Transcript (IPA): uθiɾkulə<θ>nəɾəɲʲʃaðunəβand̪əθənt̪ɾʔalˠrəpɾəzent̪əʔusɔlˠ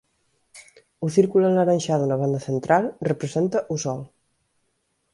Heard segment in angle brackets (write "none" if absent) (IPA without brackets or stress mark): none